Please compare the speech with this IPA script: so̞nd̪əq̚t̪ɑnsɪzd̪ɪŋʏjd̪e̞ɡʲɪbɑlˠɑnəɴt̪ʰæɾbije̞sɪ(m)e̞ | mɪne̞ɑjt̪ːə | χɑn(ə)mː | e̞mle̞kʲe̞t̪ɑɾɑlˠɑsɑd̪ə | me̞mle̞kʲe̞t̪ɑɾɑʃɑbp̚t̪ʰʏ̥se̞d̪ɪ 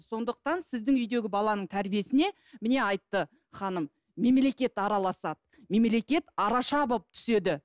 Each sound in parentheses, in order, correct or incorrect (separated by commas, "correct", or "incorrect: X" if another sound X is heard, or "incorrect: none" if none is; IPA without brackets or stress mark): incorrect: n, correct